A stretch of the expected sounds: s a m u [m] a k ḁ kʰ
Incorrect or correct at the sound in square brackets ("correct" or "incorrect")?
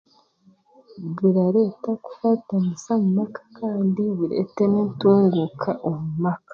correct